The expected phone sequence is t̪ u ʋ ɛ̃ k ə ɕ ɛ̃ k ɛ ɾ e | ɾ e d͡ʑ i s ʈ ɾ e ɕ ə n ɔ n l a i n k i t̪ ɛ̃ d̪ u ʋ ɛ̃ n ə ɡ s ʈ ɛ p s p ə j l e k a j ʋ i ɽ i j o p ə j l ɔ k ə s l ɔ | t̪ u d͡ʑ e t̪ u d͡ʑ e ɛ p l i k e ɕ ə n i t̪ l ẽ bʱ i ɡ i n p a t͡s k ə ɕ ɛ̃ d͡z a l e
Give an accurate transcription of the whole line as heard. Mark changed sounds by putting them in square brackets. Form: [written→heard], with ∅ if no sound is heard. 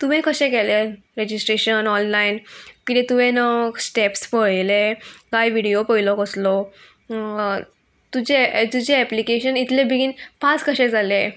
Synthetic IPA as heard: t̪ u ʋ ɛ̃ k ə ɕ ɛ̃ k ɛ [ɾ→l] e | ɾ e d͡ʑ i s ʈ ɾ e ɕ ə n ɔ n l a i n k i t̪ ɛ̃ [d̪→t̪] u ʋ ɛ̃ n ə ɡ s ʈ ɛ p s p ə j l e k a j ʋ i ɽ i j o p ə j l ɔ k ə s l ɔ | t̪ u d͡ʑ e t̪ u d͡ʑ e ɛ p l i k e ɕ ə n i t̪ l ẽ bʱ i ɡ i n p a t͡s k ə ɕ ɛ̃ d͡z a l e